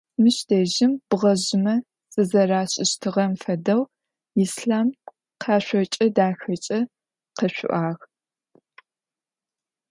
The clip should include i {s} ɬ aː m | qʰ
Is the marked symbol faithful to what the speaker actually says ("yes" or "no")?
yes